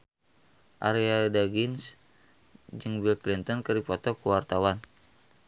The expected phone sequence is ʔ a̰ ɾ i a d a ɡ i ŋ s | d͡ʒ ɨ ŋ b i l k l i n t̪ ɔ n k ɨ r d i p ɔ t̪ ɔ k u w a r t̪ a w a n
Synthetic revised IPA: ʔ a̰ ɾ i a d a ɡ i n s | d͡ʒ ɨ ŋ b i l k l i n t̪ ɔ n k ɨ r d i p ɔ t̪ ɔ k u w a r t̪ a w a n